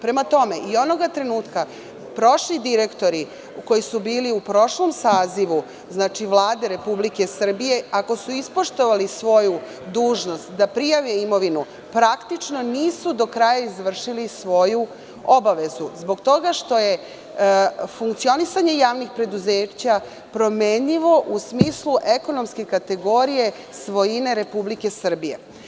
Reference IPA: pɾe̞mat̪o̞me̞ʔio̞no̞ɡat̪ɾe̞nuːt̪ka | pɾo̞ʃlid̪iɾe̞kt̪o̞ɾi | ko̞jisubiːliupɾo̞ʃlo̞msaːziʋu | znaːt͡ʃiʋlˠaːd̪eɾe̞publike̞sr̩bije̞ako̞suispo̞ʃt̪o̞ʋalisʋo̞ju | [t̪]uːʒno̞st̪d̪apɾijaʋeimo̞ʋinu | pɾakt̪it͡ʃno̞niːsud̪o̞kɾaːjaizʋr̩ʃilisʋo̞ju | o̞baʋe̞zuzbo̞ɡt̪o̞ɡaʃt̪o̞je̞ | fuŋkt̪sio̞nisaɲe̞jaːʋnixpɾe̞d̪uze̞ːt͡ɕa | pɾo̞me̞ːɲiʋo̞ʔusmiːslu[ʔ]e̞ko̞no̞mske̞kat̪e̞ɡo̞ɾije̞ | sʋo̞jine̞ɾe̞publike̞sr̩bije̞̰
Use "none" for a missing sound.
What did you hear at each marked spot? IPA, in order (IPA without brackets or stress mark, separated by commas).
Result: d̪, ʔ